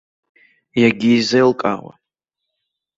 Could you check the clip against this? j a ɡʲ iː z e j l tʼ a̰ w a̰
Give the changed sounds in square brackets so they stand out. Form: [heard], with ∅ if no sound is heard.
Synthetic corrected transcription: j a ɡʲ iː z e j l [kʼ] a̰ w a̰